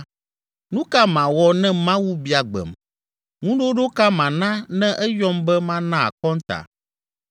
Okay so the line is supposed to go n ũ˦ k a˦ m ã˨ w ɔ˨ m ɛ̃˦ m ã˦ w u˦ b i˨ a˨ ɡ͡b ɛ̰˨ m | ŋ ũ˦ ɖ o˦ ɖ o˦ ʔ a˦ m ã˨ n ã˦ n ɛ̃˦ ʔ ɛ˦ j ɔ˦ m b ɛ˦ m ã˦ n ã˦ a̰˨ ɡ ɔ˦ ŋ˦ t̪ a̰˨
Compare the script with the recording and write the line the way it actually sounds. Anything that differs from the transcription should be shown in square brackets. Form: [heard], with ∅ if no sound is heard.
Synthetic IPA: n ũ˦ k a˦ m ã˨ w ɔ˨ [n] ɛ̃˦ m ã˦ w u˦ b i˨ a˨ ɡ͡b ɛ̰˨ m | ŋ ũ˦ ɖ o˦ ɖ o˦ [k] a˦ m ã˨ n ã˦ n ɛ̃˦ ʔ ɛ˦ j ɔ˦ m b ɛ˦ m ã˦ n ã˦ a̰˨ [k] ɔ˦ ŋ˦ t̪ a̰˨